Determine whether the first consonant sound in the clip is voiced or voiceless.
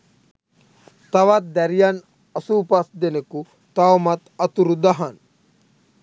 voiceless